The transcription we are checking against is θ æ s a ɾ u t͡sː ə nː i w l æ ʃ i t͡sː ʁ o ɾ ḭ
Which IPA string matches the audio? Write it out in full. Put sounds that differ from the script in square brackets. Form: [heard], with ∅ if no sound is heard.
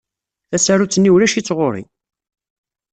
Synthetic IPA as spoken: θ æ s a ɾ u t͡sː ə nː i w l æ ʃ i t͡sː ʁ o ɾ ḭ